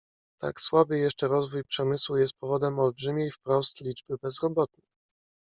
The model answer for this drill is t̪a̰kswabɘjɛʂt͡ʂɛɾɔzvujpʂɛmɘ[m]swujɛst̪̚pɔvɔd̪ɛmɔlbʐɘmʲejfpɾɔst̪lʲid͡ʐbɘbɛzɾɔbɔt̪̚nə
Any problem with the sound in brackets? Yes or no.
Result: yes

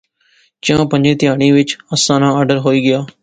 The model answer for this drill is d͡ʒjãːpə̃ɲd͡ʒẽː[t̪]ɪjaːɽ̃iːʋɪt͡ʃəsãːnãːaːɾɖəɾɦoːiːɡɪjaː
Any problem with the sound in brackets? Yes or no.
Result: no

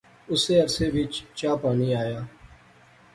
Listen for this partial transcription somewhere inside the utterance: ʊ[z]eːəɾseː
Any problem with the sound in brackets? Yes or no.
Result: yes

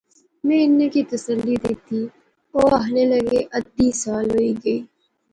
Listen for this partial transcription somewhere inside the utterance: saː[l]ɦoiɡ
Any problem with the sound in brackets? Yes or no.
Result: no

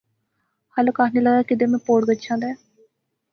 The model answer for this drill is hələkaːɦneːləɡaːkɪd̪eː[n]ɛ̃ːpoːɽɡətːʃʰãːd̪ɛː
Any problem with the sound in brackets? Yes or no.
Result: yes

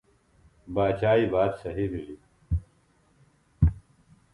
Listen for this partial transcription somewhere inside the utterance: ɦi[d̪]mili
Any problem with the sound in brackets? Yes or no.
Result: yes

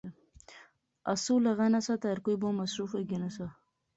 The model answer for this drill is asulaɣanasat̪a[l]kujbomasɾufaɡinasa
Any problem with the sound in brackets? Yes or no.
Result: yes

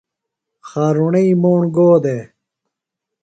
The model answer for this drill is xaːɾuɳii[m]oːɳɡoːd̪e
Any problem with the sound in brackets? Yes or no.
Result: no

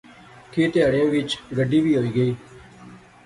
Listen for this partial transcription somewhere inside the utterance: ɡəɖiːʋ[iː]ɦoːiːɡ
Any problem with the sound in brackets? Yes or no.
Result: no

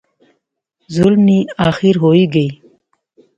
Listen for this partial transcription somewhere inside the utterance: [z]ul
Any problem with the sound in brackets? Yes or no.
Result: no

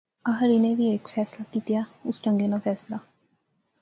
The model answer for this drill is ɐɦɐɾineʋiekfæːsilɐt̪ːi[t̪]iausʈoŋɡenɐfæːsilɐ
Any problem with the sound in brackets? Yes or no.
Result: no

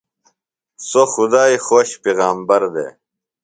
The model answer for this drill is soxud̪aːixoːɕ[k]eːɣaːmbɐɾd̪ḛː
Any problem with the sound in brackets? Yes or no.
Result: yes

